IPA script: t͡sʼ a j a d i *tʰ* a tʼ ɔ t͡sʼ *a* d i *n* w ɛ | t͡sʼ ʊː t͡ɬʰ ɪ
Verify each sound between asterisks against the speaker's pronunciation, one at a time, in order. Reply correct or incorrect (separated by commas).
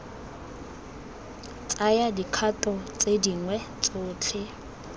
incorrect, incorrect, incorrect